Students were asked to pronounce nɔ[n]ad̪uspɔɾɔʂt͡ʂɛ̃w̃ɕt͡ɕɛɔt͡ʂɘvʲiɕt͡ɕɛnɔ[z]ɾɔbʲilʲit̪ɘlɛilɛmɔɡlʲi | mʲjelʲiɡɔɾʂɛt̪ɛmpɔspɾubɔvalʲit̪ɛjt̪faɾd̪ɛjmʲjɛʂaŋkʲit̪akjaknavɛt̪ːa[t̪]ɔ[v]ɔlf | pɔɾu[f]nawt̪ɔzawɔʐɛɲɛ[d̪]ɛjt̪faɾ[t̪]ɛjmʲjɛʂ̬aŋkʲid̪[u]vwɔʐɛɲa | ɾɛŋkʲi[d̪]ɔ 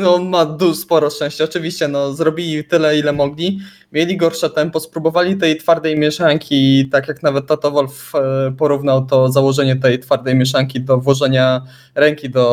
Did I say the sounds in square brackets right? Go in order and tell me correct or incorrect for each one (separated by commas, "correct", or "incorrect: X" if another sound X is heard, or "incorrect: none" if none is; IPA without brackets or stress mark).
incorrect: m, correct, correct, correct, incorrect: v, incorrect: t̪, incorrect: d̪, incorrect: ɔ, correct